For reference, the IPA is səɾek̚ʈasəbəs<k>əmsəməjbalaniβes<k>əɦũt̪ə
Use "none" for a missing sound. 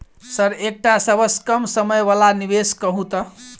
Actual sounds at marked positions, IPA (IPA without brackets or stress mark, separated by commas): k, k